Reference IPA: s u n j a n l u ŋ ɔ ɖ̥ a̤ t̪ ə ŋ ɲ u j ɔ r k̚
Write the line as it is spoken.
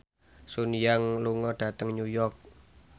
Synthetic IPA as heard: s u n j a ŋ l u ŋ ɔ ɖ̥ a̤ t̪ ə ŋ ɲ u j ɔ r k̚